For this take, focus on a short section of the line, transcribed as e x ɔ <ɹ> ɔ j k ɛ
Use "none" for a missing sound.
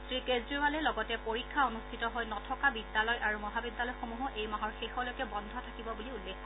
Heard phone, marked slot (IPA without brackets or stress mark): l